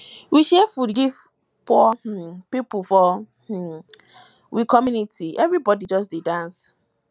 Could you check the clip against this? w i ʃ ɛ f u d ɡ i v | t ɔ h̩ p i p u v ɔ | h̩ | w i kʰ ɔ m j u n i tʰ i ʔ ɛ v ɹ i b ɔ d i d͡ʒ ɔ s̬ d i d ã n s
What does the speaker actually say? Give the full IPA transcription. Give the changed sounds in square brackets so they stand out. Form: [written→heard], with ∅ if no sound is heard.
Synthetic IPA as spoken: w i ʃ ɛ f u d ɡ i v | [t→p] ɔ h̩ p i p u [v→f] ɔ | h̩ | w i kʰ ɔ m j u n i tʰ i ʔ ɛ v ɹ i b ɔ d i d͡ʒ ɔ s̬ d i d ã n s